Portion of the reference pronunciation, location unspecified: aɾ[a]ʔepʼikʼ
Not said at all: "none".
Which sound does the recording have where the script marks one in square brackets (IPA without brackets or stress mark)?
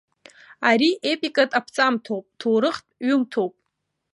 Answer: i